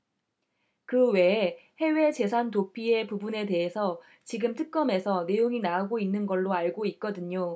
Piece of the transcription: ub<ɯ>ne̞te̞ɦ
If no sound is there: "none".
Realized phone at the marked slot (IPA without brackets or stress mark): u